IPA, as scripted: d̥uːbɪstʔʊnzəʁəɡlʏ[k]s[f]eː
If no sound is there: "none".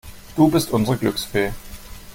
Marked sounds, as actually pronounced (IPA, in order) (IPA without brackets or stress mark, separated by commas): k, f